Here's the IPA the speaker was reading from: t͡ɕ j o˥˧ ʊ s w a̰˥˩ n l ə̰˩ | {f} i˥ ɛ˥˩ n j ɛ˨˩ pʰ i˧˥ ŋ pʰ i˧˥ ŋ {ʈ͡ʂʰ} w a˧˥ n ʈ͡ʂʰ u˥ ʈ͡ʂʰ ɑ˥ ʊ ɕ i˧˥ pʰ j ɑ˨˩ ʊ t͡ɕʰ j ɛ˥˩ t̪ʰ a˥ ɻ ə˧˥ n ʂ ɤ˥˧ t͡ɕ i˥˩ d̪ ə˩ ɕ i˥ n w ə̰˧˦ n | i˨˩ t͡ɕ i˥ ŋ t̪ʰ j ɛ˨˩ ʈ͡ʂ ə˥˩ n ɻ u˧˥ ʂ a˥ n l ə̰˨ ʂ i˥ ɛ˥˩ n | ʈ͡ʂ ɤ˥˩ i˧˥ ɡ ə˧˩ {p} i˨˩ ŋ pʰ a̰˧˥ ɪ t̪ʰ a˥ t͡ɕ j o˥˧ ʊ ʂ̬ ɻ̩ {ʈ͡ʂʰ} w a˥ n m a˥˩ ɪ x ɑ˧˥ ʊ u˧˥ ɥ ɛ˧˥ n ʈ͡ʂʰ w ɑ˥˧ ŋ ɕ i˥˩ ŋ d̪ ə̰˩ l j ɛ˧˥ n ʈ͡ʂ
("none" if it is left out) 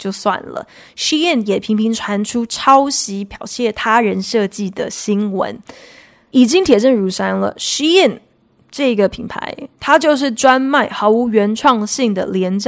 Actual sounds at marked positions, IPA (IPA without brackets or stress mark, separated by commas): ʂ, ʈ͡ʂʰ, pʰ, ʈ͡ʂ